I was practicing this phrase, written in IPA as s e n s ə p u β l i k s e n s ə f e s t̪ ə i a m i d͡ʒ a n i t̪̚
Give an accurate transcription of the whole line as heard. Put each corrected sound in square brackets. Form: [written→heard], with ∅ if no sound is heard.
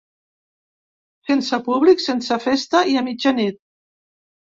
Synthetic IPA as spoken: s e n s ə p u β l i k s e n s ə f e s t̪ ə i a m i d͡ʒ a n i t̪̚